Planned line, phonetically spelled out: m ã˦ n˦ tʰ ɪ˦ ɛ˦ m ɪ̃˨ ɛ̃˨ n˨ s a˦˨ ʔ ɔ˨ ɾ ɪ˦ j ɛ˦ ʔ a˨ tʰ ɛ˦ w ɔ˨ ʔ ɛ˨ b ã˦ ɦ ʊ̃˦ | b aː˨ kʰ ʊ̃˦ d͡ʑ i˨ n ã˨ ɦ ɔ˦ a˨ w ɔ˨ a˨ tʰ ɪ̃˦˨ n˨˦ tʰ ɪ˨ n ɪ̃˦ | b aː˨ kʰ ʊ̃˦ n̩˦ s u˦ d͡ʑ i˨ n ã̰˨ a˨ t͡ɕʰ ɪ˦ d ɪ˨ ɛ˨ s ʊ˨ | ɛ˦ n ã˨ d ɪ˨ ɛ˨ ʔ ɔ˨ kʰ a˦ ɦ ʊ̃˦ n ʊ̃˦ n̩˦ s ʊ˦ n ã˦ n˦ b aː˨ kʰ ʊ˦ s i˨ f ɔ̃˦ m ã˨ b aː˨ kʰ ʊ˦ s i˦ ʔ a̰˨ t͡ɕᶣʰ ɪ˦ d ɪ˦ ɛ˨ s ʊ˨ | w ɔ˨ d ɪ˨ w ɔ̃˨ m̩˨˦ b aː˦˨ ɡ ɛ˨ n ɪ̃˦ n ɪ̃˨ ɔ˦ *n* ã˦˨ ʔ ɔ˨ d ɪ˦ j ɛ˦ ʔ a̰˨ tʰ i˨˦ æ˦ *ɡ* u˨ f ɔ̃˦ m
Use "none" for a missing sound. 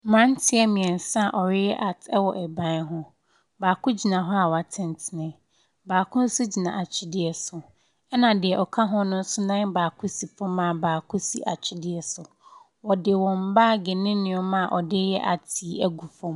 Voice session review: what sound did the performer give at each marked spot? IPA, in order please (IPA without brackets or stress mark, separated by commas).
m, ɡ